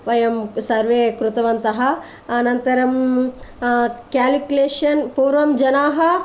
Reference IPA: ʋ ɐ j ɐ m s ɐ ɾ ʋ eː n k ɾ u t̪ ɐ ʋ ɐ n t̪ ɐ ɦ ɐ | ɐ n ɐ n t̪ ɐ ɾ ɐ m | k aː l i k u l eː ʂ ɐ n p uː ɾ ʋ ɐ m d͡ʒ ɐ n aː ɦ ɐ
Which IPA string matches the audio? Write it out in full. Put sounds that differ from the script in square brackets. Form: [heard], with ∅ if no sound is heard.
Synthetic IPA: ʋ ɐ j ɐ m s ɐ ɾ ʋ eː [∅] k ɾ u t̪ ɐ ʋ ɐ n t̪ ɐ ɦ ɐ | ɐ n ɐ n t̪ ɐ ɾ ɐ m | k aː l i k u l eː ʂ ɐ n p uː ɾ ʋ ɐ m d͡ʒ ɐ n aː ɦ ɐ